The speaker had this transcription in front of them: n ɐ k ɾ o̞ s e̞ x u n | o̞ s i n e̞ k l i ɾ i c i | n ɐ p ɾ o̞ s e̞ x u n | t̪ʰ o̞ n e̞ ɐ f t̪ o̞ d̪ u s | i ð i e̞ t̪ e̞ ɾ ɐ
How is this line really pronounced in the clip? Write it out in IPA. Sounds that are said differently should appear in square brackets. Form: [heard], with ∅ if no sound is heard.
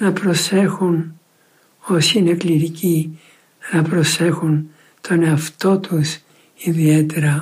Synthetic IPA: n ɐ [p] ɾ o̞ s e̞ x u n | o̞ s i n e̞ k l i ɾ i c i | n ɐ p ɾ o̞ s e̞ x u n | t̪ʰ o̞ n e̞ ɐ f t̪ o̞ [t̪] u s | i ð i e̞ t̪ e̞ ɾ ɐ